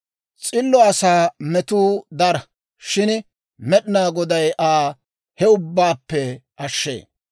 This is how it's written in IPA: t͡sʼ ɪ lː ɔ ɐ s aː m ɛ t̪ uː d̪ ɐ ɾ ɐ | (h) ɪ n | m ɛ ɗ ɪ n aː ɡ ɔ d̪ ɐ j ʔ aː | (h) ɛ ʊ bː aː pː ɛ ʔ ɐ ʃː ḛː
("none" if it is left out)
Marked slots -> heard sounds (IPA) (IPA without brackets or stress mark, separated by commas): ʃ, h